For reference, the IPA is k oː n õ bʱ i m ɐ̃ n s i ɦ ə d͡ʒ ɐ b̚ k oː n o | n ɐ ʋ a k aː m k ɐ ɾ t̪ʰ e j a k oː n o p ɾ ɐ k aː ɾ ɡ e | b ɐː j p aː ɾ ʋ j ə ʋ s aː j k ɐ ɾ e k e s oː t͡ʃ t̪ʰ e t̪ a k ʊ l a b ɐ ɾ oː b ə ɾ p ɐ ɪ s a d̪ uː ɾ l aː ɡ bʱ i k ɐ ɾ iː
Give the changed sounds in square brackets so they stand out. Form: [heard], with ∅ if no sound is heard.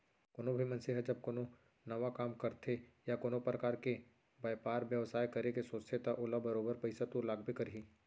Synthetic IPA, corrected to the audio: k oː n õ bʱ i m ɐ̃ n s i ɦ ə d͡ʒ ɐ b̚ k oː n o | n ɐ ʋ a k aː m k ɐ ɾ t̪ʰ e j a k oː n o p ɾ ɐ k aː ɾ [k] e | b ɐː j p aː ɾ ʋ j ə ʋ s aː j k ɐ ɾ e k e s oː t͡ʃ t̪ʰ e t̪ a [ʔ] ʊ l a b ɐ ɾ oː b ə ɾ p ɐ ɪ s a [t̪] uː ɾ l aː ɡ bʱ i k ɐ ɾ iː